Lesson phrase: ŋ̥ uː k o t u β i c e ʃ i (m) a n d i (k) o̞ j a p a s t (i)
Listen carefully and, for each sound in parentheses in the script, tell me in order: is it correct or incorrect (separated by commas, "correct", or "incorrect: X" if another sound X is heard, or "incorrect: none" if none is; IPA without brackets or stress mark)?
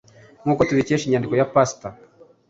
incorrect: ɲ, correct, incorrect: a